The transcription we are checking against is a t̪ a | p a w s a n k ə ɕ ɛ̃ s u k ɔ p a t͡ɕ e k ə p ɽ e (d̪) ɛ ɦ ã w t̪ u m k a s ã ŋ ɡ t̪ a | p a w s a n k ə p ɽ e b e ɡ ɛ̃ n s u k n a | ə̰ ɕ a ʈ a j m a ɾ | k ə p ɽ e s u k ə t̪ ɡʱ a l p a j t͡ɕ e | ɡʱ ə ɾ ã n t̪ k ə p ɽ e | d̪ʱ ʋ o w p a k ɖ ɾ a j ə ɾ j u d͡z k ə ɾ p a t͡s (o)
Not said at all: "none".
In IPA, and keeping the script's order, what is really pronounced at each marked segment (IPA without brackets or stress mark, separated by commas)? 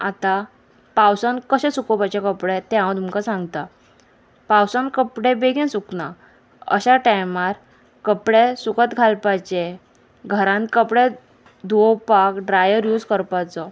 t̪, ɔ